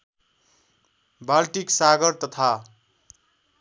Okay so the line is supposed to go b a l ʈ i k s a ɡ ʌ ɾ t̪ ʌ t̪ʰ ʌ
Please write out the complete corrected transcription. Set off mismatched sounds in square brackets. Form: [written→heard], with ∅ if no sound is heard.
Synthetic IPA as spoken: b a l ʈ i k s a ɡ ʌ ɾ t̪ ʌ t̪ʰ [ʌ→a]